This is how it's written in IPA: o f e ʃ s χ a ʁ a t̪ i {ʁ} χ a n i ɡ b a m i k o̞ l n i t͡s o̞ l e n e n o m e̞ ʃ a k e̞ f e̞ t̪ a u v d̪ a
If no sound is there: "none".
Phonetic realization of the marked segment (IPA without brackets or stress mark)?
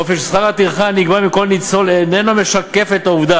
ʁ